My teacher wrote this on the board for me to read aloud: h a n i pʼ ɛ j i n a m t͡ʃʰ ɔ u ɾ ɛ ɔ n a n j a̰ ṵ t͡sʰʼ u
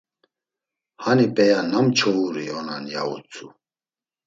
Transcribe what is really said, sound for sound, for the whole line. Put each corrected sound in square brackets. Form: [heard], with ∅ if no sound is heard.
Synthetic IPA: h a n i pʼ ɛ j [a] n a m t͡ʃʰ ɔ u ɾ [i] ɔ n a n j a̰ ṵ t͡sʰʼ u